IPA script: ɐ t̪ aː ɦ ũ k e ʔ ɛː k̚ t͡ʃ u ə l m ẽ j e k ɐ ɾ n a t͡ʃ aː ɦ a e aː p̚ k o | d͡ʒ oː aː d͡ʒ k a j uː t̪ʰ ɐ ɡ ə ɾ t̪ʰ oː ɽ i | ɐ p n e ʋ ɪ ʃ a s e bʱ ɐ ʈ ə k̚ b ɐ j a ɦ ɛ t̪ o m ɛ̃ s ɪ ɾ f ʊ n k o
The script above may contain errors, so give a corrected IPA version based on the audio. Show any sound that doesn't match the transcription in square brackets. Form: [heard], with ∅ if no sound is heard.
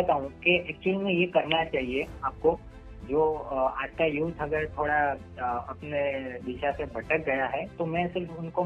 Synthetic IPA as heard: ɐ t̪ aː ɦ ũ k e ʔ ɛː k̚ t͡ʃ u ə l m ẽ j e k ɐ ɾ n a t͡ʃ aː ɦ [i] e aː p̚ k o | d͡ʒ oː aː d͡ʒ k a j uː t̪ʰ ɐ ɡ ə ɾ t̪ʰ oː ɽ [a] | ɐ p n e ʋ ɪ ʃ a s e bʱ ɐ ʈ ə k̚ [ɡ] ɐ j a ɦ ɛ t̪ o m ɛ̃ s ɪ ɾ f ʊ n k o